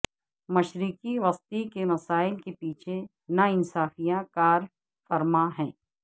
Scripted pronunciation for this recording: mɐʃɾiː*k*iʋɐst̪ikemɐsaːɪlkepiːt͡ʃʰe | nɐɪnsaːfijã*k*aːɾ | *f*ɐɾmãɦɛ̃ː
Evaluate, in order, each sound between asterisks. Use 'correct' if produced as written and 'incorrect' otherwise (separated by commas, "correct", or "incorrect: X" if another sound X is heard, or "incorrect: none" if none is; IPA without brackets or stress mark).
correct, correct, correct